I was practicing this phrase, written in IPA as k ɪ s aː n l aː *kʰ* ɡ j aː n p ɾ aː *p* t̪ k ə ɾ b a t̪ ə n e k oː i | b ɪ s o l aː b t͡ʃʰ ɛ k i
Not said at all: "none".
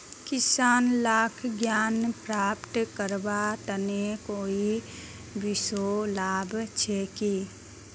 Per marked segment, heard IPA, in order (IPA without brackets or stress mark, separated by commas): kʰ, p